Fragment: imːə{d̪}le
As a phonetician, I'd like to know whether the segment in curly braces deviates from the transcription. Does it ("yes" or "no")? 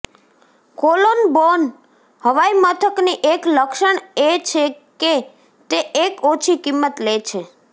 yes